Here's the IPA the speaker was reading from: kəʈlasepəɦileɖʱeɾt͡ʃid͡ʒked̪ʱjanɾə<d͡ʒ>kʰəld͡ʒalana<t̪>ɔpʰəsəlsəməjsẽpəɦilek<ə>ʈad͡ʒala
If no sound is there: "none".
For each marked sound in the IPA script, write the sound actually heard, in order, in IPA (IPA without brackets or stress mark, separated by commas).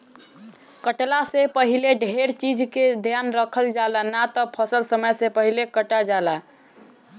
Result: none, t̪, ə